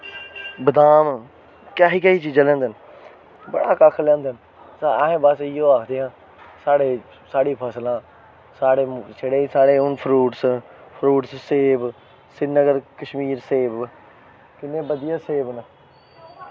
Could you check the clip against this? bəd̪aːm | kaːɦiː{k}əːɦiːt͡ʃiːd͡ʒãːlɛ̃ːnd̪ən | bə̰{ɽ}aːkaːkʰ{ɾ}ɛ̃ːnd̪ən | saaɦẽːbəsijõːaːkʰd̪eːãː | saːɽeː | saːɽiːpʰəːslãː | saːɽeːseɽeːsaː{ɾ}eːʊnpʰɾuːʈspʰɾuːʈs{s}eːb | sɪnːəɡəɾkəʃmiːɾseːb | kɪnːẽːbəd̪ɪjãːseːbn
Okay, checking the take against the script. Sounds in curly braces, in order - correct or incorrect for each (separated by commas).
correct, correct, incorrect, incorrect, correct